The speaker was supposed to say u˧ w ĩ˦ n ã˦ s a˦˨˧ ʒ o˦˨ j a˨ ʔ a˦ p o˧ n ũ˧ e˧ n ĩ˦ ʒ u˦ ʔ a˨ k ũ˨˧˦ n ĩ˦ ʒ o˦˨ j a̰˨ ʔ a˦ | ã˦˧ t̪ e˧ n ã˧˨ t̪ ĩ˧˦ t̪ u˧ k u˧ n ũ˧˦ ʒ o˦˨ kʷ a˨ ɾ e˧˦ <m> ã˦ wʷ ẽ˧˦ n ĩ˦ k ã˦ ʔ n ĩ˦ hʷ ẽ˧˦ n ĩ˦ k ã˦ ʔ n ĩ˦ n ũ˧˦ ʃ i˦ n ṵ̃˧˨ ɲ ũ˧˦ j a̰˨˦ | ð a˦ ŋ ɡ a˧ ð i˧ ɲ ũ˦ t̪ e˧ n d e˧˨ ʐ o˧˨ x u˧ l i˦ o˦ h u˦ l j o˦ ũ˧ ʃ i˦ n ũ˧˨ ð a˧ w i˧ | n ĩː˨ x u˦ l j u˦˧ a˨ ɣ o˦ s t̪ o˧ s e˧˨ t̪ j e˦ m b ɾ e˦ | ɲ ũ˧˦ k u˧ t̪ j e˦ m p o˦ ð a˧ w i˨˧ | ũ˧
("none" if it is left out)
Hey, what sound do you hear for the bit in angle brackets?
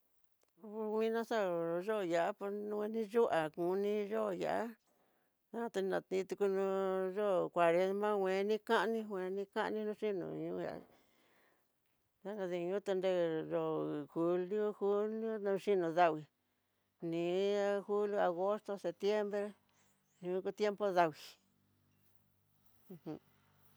m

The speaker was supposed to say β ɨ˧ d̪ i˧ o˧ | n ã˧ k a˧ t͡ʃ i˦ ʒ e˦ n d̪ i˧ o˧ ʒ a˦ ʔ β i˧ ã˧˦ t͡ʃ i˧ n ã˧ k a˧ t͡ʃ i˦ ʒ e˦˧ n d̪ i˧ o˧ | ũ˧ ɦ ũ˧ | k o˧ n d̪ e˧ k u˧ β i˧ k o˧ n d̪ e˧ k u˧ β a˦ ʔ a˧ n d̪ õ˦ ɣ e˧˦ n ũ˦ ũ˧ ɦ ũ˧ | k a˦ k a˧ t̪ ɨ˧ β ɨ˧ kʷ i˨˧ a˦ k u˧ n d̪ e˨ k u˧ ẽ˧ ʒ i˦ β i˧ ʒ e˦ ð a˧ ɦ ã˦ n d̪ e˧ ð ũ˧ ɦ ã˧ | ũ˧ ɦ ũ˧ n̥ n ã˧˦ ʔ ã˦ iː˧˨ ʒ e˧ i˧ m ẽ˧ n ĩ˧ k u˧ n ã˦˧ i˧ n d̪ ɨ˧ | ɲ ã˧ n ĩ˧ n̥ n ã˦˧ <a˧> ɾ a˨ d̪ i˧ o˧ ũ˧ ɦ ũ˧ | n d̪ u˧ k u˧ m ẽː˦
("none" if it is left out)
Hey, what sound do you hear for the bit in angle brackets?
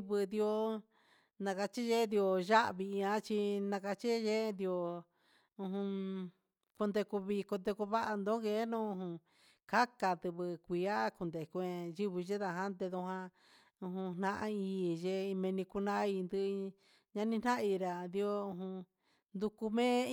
i˧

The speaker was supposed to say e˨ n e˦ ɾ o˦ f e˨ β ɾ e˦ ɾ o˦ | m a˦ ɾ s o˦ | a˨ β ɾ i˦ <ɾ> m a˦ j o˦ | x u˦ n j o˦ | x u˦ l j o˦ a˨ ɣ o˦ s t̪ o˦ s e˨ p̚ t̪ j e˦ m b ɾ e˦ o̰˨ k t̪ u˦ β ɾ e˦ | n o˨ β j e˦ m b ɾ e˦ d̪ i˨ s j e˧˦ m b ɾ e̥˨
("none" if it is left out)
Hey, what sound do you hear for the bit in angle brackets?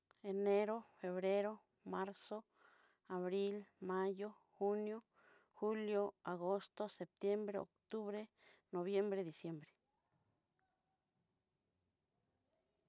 l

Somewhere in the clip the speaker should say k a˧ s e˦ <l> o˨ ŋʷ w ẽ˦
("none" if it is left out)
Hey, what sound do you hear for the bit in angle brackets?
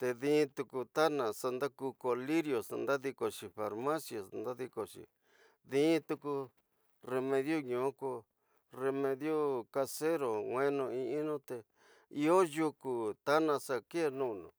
ɾ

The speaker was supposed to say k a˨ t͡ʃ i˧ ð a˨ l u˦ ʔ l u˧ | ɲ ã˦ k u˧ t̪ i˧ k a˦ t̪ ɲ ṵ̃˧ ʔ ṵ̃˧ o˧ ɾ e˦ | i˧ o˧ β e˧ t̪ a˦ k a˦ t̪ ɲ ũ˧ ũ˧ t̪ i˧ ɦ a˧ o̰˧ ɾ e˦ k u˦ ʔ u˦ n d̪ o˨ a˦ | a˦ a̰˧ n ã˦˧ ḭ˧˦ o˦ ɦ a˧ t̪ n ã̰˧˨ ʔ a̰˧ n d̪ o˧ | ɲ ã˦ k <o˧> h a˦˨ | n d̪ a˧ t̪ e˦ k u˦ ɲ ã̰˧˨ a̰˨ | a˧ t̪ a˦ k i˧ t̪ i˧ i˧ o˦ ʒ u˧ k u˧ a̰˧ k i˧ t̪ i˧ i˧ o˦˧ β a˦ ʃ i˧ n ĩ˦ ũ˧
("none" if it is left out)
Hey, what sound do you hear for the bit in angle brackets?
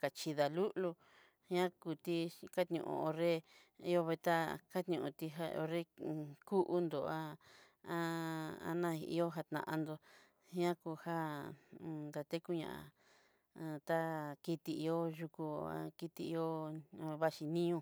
u˧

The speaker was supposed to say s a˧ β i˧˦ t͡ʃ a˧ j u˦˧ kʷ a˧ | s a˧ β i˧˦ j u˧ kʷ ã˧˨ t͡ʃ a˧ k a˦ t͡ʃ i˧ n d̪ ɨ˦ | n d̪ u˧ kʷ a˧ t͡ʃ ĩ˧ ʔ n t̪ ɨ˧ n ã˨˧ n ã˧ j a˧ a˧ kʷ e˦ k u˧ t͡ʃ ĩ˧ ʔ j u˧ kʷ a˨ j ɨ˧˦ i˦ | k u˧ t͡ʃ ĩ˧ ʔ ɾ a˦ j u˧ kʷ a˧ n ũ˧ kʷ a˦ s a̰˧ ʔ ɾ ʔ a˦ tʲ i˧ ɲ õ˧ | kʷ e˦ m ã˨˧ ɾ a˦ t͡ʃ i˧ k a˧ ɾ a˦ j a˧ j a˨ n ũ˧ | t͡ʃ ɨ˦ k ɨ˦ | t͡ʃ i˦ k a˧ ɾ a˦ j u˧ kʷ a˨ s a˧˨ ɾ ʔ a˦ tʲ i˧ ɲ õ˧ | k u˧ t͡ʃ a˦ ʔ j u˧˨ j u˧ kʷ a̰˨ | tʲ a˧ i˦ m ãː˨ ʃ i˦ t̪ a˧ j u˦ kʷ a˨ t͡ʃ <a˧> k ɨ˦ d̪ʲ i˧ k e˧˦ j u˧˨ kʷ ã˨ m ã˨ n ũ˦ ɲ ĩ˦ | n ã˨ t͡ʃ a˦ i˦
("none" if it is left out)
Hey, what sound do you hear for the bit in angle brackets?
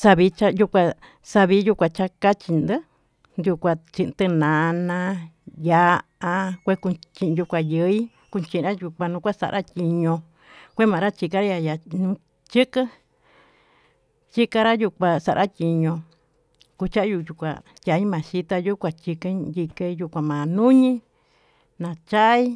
i˧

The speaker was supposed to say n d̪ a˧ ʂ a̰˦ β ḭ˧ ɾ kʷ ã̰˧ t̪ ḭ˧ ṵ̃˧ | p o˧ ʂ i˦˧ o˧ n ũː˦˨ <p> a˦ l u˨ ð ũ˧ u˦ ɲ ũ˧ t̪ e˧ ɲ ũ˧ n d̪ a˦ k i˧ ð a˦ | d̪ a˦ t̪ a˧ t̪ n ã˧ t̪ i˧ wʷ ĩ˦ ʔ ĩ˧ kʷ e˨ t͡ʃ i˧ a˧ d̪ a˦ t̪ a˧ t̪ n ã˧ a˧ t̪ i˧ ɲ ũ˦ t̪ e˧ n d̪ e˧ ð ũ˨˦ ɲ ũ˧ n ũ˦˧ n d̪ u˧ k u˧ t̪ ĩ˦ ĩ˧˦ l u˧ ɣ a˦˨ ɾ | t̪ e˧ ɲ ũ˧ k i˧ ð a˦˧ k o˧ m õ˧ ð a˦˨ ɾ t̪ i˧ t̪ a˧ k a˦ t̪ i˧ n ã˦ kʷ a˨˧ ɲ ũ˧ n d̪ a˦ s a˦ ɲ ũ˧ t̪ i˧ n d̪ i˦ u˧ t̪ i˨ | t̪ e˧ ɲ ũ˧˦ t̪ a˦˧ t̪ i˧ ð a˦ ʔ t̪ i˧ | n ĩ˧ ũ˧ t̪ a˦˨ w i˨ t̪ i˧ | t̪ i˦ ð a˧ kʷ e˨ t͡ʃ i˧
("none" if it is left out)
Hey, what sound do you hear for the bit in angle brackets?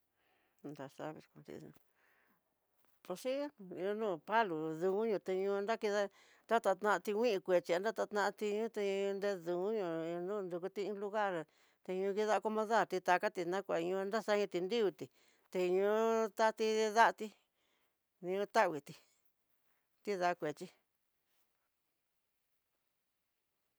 p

